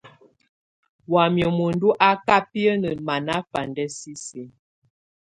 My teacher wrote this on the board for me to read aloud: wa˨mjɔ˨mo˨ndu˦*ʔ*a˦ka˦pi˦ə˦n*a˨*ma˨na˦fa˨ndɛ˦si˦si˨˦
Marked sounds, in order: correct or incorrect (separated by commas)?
correct, incorrect